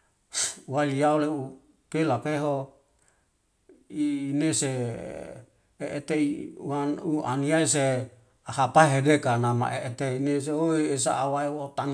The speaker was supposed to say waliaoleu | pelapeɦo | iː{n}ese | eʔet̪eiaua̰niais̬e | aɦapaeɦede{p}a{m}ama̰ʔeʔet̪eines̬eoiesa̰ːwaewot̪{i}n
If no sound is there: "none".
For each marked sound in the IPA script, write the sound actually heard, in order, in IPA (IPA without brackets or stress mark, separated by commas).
n, k, n, a